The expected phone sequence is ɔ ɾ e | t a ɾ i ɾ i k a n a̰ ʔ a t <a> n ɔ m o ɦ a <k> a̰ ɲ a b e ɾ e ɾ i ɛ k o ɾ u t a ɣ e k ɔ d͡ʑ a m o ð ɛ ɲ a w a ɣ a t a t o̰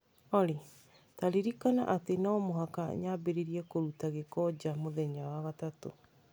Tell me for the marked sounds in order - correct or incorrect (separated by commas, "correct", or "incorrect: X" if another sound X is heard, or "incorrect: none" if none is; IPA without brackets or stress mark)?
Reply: incorrect: e, correct